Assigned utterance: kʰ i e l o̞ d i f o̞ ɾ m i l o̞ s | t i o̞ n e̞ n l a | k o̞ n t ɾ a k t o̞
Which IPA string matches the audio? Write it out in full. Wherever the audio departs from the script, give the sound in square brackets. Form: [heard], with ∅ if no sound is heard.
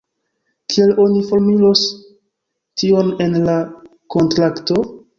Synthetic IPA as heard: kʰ i e l o̞ [n] i f o̞ ɾ m i l o̞ s | t i o̞ n e̞ n l a | k o̞ n t ɾ a k t o̞